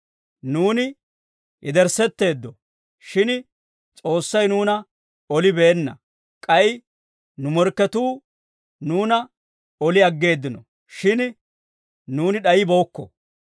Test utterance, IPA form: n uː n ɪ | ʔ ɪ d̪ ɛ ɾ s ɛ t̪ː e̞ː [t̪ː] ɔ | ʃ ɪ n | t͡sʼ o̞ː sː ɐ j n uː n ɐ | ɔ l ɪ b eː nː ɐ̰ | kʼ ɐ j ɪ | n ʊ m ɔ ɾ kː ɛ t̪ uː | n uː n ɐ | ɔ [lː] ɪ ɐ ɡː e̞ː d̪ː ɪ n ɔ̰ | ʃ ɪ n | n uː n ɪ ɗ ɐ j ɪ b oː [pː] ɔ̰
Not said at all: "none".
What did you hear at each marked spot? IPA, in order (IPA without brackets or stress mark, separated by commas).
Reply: d̪ː, l, kː